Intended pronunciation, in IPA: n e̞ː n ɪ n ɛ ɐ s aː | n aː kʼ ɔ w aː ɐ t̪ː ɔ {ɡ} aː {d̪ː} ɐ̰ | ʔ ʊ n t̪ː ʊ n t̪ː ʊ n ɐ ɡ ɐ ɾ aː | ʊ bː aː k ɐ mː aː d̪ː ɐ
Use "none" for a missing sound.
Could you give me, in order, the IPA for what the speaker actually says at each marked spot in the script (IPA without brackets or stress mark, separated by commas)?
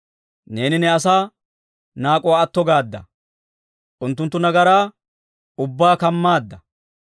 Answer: ɡ, d̪ː